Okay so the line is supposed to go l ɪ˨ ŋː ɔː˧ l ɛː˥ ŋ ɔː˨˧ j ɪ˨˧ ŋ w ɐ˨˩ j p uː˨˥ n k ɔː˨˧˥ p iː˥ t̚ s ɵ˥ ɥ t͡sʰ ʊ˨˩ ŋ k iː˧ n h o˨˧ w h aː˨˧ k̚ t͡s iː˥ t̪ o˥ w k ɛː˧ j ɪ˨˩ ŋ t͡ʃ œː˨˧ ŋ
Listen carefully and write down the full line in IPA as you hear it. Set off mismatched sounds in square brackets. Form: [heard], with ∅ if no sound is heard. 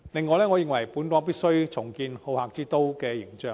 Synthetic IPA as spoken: l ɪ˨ ŋː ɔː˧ l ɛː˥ ŋ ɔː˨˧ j ɪ˨˧ ŋ w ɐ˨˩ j p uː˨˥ n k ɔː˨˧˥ p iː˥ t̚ s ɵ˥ ɥ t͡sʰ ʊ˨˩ ŋ k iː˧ n h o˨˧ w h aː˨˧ k̚ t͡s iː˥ t̪ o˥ w k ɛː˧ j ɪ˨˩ ŋ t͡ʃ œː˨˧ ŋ